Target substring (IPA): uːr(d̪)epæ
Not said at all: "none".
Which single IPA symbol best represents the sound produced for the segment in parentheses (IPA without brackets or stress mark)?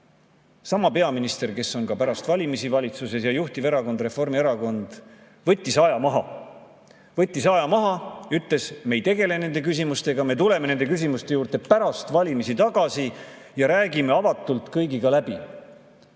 t̪